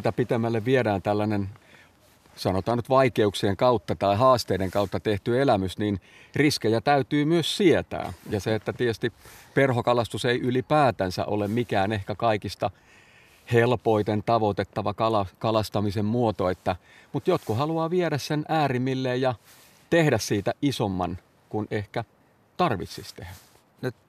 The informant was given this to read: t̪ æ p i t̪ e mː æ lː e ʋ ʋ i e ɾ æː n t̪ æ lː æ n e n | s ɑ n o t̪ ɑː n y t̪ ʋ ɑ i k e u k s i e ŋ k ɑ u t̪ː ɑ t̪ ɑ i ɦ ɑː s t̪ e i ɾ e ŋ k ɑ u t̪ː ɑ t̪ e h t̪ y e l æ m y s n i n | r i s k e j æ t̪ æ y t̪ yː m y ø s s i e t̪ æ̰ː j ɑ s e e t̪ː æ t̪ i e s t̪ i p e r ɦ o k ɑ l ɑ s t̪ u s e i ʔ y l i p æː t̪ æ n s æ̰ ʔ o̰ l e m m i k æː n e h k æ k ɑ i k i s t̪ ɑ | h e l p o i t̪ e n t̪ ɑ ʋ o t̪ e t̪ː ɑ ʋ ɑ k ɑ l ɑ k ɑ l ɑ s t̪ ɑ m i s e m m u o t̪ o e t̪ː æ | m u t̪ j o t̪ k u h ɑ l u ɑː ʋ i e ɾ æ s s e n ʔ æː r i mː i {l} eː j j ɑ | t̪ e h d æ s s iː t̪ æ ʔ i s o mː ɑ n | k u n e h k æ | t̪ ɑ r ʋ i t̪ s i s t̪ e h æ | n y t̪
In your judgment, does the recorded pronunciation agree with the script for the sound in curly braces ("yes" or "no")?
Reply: no